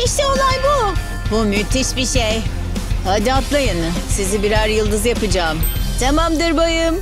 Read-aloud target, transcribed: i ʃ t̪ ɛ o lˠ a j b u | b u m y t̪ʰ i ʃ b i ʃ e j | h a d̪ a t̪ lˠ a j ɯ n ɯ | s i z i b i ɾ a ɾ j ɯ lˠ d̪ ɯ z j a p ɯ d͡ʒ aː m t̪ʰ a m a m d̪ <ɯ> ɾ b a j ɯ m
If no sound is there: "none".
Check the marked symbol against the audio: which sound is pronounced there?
ɯ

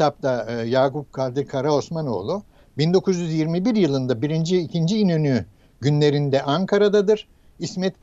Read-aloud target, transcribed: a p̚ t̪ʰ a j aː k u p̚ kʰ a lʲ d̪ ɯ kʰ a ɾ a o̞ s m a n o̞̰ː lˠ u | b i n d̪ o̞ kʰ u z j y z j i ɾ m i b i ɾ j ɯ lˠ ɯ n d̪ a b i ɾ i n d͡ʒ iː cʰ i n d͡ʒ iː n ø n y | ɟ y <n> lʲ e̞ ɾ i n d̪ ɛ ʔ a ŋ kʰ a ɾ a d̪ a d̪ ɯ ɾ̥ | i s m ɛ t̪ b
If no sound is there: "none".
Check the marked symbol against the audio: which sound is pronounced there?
n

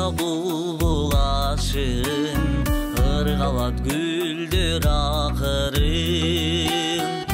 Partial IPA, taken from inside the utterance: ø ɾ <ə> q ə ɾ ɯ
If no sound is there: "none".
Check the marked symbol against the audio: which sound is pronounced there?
ɑ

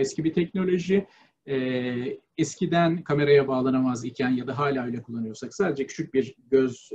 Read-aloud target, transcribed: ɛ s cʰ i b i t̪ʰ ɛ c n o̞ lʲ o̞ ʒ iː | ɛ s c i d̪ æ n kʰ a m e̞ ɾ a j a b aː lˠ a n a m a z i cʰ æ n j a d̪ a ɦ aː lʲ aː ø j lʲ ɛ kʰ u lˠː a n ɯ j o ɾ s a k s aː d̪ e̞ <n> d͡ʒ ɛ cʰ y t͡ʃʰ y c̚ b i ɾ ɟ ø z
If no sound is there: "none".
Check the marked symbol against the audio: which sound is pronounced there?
none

